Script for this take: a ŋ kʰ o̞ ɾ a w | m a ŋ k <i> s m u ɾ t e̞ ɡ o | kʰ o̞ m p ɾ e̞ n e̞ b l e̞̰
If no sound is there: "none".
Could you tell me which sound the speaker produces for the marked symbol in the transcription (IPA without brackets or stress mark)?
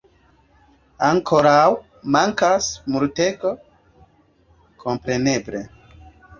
a